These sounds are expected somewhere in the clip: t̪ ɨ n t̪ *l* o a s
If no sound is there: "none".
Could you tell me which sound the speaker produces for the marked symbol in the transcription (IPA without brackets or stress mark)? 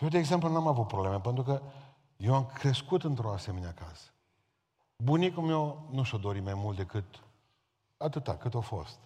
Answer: ɾ